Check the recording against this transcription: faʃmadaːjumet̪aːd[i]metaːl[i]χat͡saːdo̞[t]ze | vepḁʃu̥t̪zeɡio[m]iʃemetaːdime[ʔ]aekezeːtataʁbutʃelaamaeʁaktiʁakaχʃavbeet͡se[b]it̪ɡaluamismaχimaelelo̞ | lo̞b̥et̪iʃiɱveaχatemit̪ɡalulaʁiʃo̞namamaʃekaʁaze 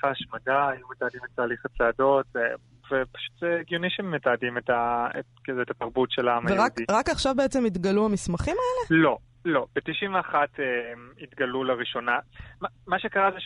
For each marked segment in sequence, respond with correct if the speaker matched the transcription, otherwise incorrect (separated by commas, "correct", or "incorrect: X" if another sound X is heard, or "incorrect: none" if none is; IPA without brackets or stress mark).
correct, correct, correct, incorrect: n, incorrect: t, incorrect: m